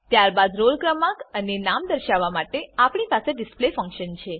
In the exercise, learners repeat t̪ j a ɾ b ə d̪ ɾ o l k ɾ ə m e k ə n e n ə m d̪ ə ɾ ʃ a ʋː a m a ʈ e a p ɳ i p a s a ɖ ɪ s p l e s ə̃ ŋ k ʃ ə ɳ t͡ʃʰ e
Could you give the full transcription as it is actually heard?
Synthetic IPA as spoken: t̪ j a ɾ b a d̪ ɾ o l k ɾ ə m a k ə n e n a m d̪ ə ɾ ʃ a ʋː a m a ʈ e a p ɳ i p a s e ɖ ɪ s p l e f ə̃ ŋ k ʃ ə n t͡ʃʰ e